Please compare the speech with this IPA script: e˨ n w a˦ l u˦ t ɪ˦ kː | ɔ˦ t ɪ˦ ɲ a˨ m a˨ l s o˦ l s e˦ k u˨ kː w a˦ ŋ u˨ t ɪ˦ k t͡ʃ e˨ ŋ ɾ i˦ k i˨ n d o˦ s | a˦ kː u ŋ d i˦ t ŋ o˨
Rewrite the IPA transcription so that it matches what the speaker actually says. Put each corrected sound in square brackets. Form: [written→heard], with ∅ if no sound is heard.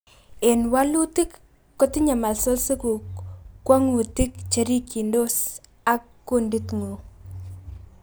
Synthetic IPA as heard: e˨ n w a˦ l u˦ t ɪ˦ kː | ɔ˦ t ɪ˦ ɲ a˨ m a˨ l s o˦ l s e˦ k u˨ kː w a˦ ŋ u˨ t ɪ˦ k t͡ʃ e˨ [ŋ→∅] ɾ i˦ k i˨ n d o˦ s | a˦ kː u [ŋ→n] d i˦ t ŋ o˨